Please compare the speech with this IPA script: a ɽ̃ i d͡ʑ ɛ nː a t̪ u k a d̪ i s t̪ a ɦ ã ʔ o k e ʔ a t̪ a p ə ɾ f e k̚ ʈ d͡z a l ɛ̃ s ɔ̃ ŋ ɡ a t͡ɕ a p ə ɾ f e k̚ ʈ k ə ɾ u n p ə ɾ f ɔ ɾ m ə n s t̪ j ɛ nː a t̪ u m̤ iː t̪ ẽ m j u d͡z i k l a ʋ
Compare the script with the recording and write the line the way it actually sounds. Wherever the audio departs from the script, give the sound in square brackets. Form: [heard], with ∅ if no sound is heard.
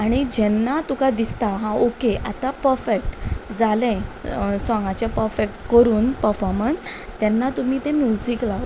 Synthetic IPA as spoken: a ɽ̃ i d͡ʑ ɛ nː a t̪ u k a d̪ i s t̪ a ɦ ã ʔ o k e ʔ a t̪ a p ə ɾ f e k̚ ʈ d͡z a l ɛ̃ s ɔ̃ ŋ ɡ a t͡ɕ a p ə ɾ f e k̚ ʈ k ə ɾ [uː] n p ə ɾ f ɔ ɾ m ə n s t̪ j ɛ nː a t̪ u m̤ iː t̪ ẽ m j u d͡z i k l a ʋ